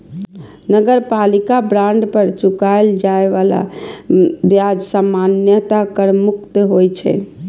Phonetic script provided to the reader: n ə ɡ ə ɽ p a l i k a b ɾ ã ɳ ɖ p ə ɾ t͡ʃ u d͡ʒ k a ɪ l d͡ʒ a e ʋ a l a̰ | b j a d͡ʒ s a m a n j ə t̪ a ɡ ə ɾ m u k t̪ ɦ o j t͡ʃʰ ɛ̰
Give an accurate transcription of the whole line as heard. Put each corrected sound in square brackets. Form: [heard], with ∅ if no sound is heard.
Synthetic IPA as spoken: n ə ɡ ə [ɾ] p a l i k a b ɾ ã ɳ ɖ p ə ɾ t͡ʃ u [∅] k a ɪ l d͡ʒ a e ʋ a l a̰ | b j a d͡ʒ s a m a n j ə t̪ a [k] ə ɾ m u k t̪ ɦ o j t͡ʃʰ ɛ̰